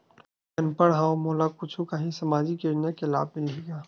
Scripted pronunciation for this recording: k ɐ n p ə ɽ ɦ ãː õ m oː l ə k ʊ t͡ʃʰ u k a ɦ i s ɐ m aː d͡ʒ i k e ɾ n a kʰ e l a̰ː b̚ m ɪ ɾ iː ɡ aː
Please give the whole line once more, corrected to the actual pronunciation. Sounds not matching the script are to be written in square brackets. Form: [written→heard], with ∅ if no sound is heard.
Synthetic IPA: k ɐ n p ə ɽ ɦ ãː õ m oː l [ə→a] k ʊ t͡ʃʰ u k a ɦ i s ɐ m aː d͡ʒ i k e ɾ n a [kʰ→k] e l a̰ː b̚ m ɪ [ɾ→l] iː ɡ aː